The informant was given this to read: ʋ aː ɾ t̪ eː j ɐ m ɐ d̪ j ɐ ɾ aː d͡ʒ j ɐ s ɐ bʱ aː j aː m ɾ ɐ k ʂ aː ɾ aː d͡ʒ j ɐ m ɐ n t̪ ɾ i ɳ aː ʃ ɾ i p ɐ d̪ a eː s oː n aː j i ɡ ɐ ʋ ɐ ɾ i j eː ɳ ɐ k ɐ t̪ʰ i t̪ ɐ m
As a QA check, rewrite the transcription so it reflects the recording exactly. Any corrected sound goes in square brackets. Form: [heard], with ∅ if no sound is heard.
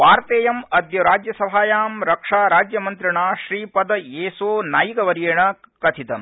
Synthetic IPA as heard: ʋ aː ɾ t̪ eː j ɐ m ɐ d̪ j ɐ ɾ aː d͡ʒ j ɐ s ɐ bʱ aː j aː m ɾ ɐ k ʂ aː ɾ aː d͡ʒ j ɐ m ɐ n t̪ ɾ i ɳ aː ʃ ɾ [iː] p ɐ d̪ [ɐ] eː s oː n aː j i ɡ ɐ ʋ ɐ ɾ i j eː ɳ ɐ k ɐ t̪ʰ i t̪ ɐ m